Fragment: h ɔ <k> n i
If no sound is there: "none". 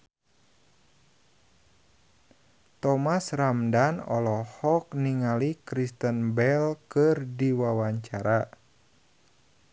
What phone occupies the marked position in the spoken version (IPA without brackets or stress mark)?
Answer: k